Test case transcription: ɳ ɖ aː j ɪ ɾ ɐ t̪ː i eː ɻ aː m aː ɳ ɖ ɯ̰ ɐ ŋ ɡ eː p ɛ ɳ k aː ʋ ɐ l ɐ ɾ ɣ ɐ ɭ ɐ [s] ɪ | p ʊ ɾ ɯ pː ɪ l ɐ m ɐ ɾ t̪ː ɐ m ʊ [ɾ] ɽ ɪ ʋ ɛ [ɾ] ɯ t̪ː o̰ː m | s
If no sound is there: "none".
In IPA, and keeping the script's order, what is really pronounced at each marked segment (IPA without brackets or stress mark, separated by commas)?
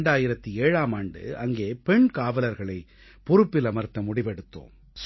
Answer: none, none, ɽ